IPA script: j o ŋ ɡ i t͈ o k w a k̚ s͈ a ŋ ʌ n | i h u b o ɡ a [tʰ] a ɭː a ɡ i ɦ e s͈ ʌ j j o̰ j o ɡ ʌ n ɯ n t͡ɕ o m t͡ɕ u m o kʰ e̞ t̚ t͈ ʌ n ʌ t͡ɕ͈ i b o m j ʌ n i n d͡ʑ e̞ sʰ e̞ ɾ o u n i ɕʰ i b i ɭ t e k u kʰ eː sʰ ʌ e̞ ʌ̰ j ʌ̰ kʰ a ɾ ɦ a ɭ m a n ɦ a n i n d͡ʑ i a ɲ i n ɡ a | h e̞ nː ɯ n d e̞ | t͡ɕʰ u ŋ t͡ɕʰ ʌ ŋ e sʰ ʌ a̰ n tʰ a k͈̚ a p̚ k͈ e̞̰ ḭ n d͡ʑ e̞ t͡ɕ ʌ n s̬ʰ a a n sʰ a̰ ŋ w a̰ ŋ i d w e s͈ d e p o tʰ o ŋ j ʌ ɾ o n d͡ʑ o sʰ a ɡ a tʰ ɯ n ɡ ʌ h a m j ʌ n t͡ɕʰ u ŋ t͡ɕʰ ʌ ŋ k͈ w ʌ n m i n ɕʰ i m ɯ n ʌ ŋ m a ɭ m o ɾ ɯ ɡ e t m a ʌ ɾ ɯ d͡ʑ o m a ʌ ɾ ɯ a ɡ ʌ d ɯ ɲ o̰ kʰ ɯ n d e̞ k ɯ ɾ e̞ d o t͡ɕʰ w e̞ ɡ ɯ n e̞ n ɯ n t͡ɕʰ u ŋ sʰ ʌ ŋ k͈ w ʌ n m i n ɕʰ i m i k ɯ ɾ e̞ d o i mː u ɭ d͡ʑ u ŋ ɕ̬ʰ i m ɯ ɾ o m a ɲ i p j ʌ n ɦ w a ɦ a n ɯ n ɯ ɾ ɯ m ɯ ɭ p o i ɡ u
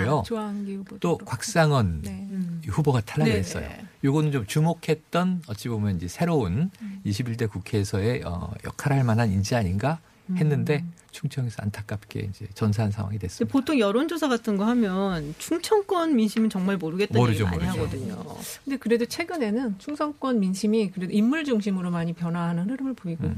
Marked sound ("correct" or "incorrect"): correct